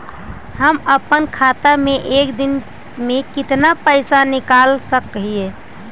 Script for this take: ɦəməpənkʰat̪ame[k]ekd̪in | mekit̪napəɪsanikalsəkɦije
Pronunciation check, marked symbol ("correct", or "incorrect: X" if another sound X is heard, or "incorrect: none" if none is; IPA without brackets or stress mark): incorrect: ʔ